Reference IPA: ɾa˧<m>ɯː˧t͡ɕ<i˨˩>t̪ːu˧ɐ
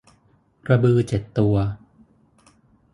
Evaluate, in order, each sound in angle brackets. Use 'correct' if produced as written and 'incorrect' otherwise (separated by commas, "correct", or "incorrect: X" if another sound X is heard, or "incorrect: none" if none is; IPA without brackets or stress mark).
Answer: incorrect: b, incorrect: e˨˩